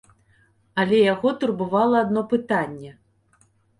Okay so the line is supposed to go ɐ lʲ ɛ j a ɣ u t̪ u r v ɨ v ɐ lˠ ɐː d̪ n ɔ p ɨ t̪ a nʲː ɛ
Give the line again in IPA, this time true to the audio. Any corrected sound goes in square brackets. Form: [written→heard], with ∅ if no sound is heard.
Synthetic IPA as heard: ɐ lʲ ɛ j a ɣ [u→ɔ] t̪ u r [v→b] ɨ v [ɐ→a] lˠ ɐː d̪ n ɔ p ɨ t̪ a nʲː ɛ